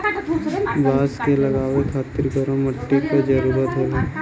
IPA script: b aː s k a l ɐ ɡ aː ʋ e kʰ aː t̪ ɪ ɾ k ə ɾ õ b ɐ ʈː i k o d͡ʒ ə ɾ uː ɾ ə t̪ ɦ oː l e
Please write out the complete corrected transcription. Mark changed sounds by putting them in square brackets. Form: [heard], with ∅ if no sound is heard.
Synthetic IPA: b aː s k [e] l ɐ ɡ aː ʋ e kʰ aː t̪ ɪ ɾ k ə ɾ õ [m] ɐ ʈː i k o d͡ʒ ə ɾ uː ɾ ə t̪ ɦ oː l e